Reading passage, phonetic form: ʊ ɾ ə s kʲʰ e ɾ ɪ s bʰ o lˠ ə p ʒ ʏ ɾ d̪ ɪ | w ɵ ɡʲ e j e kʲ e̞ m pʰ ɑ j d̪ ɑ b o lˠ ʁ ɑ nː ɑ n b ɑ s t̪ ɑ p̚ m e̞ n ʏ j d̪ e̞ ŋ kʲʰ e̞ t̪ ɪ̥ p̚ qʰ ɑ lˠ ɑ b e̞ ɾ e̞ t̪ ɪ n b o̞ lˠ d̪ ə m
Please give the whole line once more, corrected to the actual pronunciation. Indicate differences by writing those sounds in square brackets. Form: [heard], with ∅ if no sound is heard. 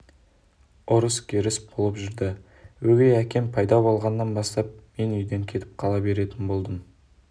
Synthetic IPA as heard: ʊ ɾ ə s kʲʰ e ɾ ɪ s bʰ o lˠ ə p ʒ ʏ ɾ d̪ ɪ | w ɵ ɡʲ e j [æ] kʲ e̞ m pʰ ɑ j d̪ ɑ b o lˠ ʁ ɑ nː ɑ n b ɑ s t̪ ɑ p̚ m e̞ n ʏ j d̪ e̞ ŋ kʲʰ e̞ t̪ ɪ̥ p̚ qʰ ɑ lˠ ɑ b e̞ ɾ e̞ t̪ ɪ n b o̞ lˠ d̪ ə m